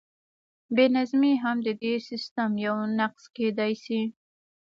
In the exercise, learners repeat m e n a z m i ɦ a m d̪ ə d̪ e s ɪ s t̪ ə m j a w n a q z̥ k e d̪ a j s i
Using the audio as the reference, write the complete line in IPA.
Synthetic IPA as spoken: b e n a z m i ɦ a m d̪ ə d̪ e s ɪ s t̪ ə m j a w n a q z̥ k e d̪ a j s i